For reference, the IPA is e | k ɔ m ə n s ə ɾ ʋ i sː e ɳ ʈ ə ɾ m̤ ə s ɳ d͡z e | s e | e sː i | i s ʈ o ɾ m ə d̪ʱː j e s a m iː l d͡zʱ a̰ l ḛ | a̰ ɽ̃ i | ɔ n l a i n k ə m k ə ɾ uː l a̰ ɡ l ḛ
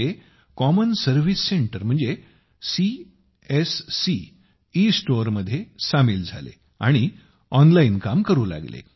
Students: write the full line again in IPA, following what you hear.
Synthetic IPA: e | k ɔ m ə n s ə ɾ ʋ i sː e ɳ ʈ ə ɾ m̤ ə ɳ d͡z e | s i | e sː i | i s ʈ o ɾ m ə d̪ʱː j e s a m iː l d͡zʱ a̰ l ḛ | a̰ ɽ̃ i | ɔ n l a i n k a m k ə ɾ uː l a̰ ɡ l ḛ